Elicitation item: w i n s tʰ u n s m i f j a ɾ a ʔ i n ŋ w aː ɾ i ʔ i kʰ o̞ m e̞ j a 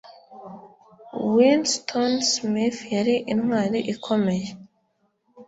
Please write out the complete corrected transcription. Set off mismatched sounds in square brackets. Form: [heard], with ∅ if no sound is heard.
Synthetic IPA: w i n s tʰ [o] n s m i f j a ɾ [i] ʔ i n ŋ w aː ɾ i ʔ i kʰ o̞ m e̞ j [e]